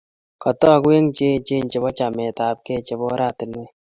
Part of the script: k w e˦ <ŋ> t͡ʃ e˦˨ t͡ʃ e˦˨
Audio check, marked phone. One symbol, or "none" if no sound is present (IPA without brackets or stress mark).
ŋ